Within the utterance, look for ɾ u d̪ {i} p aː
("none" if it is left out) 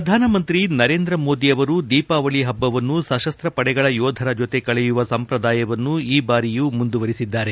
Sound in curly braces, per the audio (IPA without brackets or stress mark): iː